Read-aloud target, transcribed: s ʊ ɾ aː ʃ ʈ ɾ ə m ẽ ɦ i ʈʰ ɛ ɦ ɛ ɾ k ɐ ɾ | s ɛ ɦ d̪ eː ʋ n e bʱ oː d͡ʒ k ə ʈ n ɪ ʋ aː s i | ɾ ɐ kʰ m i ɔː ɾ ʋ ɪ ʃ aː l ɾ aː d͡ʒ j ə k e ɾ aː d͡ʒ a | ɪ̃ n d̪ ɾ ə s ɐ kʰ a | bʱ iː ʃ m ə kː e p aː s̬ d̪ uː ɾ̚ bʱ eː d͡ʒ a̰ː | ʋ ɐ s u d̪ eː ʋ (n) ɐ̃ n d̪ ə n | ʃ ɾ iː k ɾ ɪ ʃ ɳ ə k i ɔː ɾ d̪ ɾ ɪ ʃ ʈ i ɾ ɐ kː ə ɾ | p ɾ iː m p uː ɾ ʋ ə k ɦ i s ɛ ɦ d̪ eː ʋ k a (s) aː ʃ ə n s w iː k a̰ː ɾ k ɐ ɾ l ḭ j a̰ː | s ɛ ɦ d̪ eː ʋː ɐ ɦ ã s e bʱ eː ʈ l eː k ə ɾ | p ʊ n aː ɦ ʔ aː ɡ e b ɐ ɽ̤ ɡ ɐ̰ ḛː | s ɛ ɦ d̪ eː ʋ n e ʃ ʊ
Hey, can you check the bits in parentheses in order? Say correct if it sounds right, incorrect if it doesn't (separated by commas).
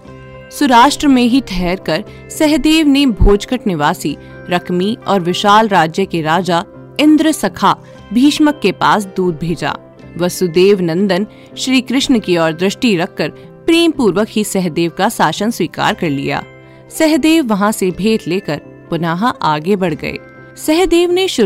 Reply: correct, correct